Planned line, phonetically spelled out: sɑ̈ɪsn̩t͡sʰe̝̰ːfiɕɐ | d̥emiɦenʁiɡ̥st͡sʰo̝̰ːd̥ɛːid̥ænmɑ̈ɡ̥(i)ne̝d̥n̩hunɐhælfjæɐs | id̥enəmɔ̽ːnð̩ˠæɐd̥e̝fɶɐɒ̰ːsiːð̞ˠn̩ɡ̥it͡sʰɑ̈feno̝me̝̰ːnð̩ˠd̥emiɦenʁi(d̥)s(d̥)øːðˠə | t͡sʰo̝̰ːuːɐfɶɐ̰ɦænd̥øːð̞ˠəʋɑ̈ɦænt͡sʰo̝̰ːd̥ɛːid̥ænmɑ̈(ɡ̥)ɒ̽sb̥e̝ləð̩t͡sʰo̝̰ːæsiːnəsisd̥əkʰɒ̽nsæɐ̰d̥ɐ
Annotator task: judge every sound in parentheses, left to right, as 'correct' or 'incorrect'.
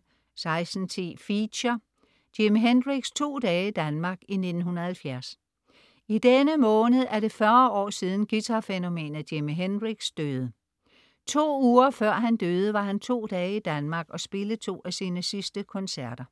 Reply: correct, incorrect: ɡ̥, correct, correct

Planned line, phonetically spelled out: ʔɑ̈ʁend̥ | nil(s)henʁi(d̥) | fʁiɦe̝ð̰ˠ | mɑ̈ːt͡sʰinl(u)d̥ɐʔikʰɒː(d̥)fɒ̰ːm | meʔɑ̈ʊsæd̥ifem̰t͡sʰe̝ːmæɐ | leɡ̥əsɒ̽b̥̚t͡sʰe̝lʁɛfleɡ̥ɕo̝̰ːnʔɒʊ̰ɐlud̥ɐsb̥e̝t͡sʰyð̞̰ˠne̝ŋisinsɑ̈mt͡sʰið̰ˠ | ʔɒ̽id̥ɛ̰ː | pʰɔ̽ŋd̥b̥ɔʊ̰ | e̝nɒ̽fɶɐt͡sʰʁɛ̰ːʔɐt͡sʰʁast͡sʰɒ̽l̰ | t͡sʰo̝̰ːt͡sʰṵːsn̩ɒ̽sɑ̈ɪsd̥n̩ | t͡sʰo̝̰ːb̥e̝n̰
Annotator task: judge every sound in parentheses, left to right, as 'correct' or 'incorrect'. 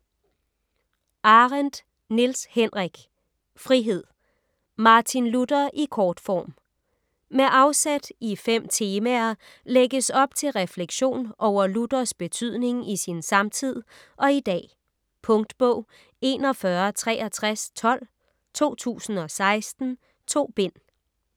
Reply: correct, incorrect: ɡ̥, correct, correct

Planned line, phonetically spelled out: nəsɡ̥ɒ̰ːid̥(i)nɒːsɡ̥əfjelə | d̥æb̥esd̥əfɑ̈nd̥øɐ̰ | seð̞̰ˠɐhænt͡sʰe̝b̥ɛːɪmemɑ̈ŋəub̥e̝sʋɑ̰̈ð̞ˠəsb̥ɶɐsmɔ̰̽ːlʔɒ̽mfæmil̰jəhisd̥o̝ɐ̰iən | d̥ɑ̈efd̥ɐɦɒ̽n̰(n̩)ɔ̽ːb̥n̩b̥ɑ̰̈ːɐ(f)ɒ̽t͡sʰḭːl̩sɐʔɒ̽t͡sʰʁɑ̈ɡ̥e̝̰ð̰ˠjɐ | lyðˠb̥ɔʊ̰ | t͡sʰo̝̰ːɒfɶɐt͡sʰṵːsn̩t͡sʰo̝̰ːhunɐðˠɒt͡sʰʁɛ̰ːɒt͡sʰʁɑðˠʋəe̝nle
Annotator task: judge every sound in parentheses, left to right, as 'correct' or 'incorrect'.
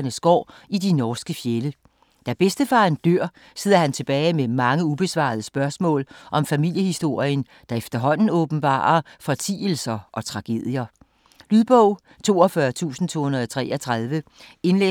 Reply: correct, correct, correct

